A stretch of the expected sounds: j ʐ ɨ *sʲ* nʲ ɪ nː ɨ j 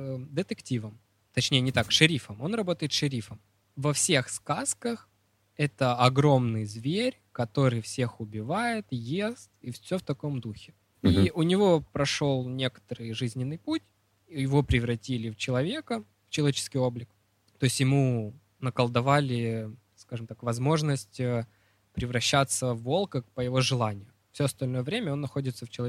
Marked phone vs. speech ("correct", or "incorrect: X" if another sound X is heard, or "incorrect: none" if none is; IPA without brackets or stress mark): incorrect: zʲ